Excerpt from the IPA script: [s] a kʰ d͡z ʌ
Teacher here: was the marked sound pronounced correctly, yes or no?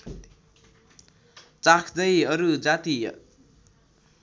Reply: no